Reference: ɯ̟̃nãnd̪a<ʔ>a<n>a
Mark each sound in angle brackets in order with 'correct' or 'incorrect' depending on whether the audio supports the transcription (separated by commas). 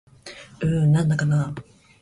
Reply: incorrect, correct